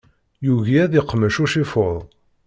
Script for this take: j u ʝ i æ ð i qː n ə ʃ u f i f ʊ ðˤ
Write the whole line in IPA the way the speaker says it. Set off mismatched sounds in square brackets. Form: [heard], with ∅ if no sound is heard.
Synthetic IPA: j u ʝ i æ ð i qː [m] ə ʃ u [ʃ] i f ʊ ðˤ